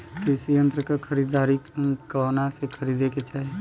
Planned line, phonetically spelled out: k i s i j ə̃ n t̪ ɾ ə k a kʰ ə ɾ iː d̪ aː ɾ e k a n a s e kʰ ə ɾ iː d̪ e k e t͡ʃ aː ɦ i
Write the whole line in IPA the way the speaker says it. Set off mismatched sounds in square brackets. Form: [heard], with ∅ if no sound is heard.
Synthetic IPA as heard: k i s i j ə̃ n t̪ ɾ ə k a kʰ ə ɾ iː d̪ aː ɾ [i] k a n a s e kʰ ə ɾ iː d̪ e k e t͡ʃ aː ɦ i